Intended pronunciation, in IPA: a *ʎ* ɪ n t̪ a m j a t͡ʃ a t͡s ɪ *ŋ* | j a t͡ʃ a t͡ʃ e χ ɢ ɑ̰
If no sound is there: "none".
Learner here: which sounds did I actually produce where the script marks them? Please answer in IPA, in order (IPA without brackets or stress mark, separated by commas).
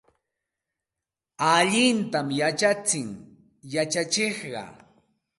ʎ, ŋ